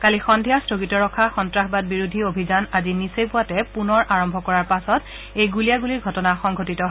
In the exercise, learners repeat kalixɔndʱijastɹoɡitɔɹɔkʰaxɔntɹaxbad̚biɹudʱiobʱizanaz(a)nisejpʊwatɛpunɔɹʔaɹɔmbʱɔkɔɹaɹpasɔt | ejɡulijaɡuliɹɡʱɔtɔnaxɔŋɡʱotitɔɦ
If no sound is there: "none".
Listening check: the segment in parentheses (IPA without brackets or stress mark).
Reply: i